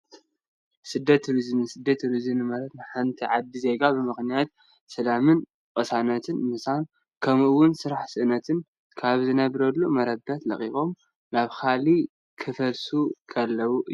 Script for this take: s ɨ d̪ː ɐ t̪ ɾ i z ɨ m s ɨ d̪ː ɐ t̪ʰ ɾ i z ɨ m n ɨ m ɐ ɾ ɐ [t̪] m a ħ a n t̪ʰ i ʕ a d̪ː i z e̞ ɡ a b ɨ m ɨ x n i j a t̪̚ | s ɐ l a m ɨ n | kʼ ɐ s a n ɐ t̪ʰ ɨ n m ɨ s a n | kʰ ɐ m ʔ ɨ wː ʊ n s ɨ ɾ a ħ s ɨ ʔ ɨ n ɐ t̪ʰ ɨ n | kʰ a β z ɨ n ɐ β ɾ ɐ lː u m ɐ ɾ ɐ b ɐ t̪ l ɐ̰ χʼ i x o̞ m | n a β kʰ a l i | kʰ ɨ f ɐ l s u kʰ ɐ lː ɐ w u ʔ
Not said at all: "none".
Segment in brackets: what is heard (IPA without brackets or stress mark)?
t̪